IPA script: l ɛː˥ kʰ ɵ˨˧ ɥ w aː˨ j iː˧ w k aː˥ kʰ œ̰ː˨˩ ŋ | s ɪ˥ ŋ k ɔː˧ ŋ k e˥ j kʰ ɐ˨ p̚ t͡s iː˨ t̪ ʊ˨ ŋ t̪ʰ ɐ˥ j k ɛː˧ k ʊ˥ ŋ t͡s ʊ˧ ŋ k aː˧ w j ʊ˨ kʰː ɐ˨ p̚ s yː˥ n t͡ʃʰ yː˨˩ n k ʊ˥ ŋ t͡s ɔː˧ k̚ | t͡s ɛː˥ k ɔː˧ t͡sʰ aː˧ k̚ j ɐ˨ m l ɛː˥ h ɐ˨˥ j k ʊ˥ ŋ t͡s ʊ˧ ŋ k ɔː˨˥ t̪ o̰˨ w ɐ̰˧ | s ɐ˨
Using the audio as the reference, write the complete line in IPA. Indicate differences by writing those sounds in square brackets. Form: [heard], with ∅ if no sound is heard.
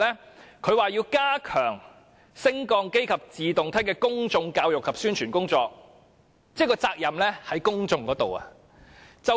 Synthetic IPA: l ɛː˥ kʰ ɵ˨˧ ɥ w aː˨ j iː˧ w k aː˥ kʰ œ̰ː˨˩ ŋ | s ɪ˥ ŋ k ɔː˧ ŋ k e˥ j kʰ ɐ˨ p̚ t͡s iː˨ t̪ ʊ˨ ŋ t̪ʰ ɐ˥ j k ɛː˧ k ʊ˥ ŋ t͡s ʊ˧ ŋ k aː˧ w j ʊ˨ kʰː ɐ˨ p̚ s yː˥ n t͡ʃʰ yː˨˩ n k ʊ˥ ŋ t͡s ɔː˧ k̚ | t͡s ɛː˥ k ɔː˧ [t͡s] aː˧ k̚ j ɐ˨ m l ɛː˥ h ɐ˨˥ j k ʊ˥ ŋ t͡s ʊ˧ ŋ k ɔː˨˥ t̪ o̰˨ w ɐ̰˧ | [t͡s] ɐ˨